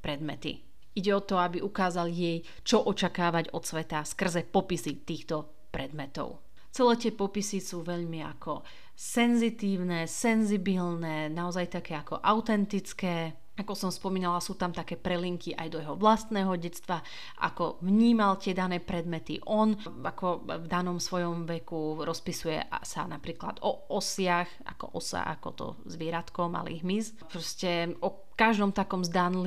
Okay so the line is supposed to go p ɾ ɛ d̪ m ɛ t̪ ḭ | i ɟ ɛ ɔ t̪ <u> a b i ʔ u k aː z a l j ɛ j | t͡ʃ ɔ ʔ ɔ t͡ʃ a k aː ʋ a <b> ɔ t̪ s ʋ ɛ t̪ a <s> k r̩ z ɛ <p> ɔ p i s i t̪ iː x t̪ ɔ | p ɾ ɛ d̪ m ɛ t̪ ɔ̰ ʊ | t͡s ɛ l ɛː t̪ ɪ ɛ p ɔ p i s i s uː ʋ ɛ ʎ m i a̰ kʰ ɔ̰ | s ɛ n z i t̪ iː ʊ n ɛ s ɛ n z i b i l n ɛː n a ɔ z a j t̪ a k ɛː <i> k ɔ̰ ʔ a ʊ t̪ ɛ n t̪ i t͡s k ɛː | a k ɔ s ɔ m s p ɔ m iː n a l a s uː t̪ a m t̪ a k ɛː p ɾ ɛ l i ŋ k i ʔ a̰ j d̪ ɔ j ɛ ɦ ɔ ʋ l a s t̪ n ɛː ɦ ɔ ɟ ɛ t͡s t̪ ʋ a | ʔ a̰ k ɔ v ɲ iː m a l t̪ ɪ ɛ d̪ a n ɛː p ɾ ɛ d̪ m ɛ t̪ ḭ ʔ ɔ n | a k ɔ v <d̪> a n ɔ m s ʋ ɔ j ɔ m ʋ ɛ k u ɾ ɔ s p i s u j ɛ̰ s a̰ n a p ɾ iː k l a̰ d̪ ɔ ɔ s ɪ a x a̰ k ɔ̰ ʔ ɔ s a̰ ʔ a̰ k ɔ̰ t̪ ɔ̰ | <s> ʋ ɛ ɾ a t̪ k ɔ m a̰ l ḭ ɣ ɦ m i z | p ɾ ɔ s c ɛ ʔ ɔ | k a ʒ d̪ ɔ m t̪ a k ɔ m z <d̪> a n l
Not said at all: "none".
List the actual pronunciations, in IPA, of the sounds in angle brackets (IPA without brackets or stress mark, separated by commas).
ɔ, ɟ, s, p, a, d̪, z, d̪